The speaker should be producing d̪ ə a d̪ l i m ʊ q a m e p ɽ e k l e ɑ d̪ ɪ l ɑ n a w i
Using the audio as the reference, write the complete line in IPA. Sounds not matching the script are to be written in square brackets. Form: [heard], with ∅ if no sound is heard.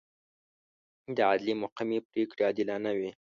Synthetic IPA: d̪ ə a d̪ l i m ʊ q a m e p [ɾ] e k [ɽ] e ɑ d̪ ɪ l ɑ n a w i